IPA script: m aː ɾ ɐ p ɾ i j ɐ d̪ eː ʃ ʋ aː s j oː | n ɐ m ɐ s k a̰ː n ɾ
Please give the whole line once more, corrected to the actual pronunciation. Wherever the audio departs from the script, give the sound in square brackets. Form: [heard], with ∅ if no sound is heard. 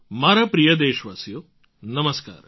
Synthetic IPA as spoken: m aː ɾ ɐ p ɾ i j ɐ d̪ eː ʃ ʋ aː s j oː | n ɐ m ɐ s k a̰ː [∅] ɾ